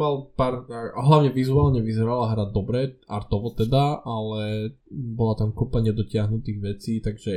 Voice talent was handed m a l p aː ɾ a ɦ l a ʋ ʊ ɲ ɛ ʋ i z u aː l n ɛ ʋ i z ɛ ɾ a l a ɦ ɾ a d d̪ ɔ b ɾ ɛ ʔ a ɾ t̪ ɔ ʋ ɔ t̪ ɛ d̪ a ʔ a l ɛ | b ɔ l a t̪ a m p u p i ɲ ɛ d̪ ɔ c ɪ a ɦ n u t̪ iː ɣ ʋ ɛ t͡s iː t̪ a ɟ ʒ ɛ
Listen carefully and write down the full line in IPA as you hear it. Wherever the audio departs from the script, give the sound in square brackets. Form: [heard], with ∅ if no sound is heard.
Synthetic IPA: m a l p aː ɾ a ɦ l a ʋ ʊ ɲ ɛ ʋ i z u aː l [ɲ] ɛ ʋ i z ɛ ɾ a l a ɦ ɾ a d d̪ ɔ b ɾ ɛ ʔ a ɾ t̪ ɔ ʋ ɔ t̪ ɛ d̪ a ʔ a l ɛ | b ɔ l a t̪ a m [k] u p [a] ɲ ɛ d̪ ɔ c ɪ a ɦ n u t̪ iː ɣ ʋ ɛ t͡s iː t̪ a [ɡ] ʒ ɛ